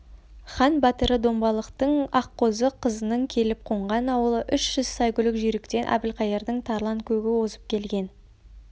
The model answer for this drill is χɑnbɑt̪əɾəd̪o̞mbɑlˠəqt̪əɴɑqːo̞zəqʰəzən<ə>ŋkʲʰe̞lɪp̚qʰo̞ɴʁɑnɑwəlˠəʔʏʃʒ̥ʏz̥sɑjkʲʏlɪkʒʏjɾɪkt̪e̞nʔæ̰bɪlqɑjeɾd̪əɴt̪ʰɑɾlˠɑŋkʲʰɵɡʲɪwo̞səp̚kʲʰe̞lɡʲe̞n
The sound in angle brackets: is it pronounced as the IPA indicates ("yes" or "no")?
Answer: yes